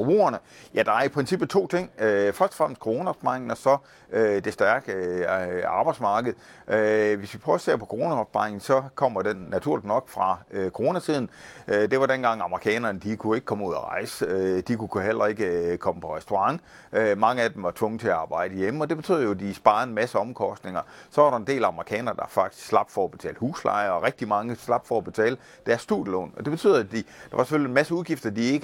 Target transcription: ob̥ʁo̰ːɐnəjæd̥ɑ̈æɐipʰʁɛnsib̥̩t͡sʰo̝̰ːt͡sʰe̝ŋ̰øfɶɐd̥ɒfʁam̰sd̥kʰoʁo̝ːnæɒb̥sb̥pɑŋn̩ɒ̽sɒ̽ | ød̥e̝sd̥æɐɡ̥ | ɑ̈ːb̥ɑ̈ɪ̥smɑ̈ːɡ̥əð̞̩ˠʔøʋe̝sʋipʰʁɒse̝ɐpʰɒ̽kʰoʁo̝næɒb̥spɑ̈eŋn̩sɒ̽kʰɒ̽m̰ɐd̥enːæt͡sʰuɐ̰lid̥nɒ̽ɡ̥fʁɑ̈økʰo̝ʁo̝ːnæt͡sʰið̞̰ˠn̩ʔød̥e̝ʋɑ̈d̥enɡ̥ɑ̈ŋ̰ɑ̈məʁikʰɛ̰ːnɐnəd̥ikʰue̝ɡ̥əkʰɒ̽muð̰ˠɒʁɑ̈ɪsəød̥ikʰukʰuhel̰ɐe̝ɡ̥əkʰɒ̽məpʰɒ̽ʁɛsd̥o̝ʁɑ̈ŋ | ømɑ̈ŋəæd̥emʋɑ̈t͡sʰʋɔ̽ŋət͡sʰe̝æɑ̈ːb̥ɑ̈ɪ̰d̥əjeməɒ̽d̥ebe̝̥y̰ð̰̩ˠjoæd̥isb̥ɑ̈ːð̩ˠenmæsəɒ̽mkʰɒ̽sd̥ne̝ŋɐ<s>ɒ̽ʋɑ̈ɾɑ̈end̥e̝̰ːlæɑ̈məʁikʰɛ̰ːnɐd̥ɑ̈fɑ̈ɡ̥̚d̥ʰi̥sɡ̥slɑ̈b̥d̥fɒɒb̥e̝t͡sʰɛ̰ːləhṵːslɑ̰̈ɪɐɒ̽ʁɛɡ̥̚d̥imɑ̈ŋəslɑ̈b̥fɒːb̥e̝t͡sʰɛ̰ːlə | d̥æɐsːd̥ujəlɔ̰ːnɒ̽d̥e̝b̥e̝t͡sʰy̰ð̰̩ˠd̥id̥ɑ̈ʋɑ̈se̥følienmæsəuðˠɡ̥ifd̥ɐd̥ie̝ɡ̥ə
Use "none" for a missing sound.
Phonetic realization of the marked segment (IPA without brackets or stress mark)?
s